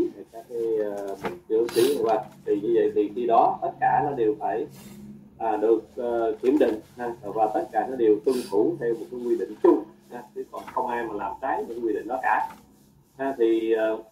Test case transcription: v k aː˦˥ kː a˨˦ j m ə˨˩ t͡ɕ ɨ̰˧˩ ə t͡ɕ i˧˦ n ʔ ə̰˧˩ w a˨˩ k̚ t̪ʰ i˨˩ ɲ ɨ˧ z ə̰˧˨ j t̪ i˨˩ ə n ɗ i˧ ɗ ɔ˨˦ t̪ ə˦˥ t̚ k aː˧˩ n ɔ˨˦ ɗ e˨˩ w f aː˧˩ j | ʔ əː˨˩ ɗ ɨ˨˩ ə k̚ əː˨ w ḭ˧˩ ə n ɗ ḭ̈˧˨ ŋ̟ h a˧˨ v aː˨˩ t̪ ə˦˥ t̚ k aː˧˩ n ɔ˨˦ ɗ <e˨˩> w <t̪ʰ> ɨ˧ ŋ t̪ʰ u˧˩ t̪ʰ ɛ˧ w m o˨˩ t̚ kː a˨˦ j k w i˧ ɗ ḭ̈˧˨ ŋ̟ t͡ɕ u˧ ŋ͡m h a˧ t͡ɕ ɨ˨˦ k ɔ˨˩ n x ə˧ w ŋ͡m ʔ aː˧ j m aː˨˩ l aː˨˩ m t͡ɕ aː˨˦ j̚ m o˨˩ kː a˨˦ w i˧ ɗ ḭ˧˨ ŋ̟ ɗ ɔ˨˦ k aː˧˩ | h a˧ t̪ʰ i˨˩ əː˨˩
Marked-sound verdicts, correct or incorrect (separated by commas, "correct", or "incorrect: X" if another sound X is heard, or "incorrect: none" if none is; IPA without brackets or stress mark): correct, incorrect: t̪